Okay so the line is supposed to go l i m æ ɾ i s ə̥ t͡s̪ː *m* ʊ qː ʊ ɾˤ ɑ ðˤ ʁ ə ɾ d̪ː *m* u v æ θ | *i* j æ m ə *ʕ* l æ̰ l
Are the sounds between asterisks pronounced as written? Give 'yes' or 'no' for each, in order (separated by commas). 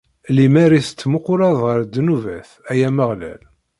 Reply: yes, no, no, no